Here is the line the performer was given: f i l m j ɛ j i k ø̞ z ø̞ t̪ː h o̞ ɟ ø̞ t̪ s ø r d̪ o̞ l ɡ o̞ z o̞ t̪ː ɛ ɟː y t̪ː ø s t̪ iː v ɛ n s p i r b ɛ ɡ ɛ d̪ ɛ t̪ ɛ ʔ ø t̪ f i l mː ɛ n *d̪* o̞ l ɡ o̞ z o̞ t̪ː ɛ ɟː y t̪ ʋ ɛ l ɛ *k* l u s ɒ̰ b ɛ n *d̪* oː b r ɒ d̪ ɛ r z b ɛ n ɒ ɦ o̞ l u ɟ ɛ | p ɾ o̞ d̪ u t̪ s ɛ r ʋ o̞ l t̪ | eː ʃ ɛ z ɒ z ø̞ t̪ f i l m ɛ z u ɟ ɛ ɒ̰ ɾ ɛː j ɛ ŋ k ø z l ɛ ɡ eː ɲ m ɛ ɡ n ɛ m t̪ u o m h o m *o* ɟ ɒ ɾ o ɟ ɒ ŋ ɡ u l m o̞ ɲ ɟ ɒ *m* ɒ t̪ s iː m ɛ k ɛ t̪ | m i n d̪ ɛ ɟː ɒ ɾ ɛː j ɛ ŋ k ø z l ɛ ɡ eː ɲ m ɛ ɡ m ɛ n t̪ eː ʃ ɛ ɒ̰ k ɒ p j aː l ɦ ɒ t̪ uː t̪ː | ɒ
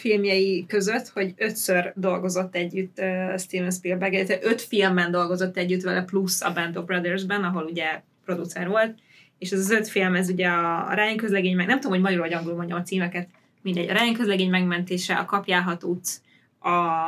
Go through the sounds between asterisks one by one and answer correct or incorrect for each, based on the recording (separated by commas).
correct, incorrect, correct, incorrect, correct